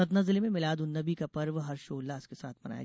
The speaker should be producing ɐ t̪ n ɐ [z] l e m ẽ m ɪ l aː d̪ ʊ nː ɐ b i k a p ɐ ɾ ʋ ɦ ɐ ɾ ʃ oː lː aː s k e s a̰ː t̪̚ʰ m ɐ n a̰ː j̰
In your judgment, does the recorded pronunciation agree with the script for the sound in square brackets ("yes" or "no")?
yes